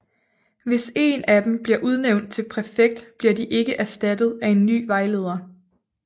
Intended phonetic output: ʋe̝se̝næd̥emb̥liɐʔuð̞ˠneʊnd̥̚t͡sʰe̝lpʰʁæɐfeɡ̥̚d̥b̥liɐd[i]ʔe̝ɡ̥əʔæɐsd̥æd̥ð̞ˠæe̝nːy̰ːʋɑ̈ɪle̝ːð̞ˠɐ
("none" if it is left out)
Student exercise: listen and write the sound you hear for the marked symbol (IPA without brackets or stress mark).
i